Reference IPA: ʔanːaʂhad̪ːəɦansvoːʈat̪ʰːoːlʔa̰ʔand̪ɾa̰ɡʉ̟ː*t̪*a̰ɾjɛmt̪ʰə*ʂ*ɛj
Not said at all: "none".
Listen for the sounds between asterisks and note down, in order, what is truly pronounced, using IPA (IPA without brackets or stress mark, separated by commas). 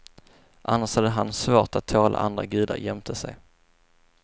d̪, s